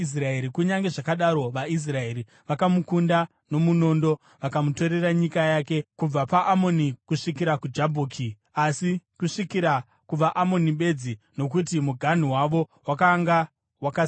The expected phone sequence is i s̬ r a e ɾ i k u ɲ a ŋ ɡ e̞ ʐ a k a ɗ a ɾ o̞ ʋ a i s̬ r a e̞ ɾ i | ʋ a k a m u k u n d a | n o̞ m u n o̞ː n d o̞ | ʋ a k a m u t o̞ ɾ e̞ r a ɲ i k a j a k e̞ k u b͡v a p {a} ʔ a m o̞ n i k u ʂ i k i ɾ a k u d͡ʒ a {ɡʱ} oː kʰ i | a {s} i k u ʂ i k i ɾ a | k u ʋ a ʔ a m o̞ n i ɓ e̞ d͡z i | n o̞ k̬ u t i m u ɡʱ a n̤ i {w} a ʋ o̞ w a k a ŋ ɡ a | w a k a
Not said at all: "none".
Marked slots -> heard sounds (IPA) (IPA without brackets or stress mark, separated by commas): a, bʱ, s, w